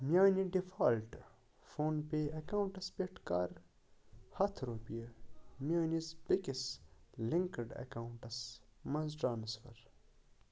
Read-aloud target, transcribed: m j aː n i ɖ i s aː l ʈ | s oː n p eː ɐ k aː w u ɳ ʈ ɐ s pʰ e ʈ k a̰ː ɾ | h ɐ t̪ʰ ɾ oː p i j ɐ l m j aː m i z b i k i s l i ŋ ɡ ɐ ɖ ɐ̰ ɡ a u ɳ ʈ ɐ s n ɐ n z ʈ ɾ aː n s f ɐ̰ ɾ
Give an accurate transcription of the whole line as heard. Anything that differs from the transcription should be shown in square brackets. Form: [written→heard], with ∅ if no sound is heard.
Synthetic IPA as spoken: m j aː n i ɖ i [s→f] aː l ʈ | [s→f] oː n p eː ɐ k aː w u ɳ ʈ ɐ s [pʰ→p] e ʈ k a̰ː ɾ | h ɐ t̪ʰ ɾ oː p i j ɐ [l→∅] m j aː [m→n] i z b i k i s l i ŋ [ɡ→k] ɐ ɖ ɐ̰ [ɡ→k] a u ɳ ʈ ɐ s [n→m] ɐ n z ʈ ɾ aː n s f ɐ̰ ɾ